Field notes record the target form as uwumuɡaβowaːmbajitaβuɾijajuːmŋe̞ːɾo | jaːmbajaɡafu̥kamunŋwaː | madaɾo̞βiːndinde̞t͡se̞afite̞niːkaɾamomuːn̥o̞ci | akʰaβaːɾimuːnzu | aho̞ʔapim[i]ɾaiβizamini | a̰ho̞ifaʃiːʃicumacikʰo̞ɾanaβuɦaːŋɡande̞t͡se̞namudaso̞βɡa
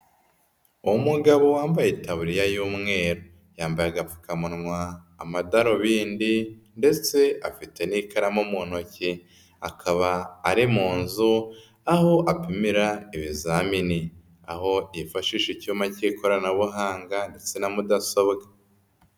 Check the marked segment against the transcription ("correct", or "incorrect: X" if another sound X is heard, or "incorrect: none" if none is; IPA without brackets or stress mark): correct